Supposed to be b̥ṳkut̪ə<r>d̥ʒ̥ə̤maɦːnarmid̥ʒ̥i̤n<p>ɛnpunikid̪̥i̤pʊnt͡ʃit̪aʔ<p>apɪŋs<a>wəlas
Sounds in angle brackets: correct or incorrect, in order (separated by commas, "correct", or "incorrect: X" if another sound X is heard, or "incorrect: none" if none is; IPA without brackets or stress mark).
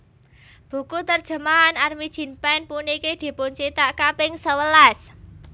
correct, correct, incorrect: k, incorrect: ə